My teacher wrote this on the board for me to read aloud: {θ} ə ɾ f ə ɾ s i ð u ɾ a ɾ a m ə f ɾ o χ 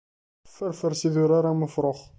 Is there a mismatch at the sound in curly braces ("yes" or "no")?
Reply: yes